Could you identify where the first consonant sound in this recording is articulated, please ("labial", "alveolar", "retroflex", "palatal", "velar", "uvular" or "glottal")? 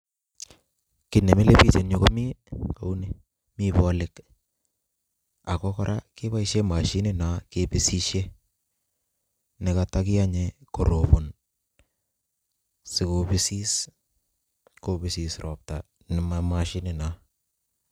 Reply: velar